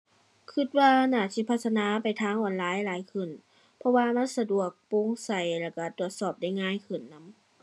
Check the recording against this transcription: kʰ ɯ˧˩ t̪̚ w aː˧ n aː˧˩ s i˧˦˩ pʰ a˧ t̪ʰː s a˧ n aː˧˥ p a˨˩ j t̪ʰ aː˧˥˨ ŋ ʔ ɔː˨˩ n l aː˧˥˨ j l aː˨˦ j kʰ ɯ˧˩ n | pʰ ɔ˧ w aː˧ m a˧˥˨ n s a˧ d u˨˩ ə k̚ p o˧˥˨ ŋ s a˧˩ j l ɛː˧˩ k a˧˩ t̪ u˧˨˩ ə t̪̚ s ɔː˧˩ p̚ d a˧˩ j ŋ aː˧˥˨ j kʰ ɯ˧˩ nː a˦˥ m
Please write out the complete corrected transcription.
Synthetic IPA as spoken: kʰ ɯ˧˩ t̪̚ w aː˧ n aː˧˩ s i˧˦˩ pʰ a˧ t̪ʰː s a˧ n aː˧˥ p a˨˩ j t̪ʰ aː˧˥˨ ŋ ʔ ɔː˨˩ n l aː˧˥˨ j l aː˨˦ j kʰ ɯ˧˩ n | pʰ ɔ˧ w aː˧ m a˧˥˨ n s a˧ d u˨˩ ə k̚ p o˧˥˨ ŋ s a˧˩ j l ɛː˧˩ k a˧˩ t̪ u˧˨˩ ə t̪̚ s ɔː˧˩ p̚ d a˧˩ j ŋ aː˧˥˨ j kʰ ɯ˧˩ nː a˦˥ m